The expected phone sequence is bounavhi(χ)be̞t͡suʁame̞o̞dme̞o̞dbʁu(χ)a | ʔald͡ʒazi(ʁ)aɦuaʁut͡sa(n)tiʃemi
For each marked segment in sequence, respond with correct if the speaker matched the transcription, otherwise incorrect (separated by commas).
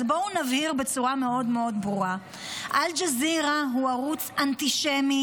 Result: incorrect, incorrect, correct, correct